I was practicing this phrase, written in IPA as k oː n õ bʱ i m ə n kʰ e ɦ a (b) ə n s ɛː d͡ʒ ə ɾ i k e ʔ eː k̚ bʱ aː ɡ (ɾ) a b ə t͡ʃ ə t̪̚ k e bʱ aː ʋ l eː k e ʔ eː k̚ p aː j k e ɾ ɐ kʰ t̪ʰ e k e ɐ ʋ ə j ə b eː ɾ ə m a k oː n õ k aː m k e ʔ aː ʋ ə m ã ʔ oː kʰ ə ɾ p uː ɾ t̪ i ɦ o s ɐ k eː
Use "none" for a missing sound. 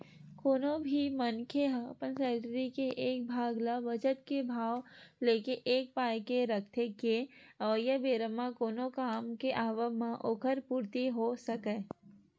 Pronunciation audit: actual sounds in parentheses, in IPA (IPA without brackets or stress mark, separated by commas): p, l